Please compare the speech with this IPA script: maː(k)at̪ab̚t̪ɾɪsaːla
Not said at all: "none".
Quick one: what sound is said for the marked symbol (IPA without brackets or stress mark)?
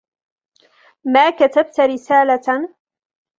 k